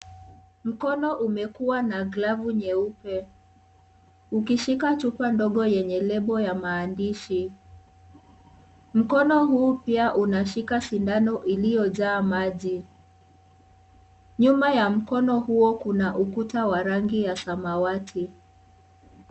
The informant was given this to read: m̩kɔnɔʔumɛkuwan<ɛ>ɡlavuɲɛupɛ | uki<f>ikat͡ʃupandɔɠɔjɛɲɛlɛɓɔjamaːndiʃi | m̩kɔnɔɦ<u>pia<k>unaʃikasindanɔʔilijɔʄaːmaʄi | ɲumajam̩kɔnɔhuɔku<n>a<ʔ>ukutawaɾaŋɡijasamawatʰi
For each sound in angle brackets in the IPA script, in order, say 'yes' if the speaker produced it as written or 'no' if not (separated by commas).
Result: no, no, no, no, yes, yes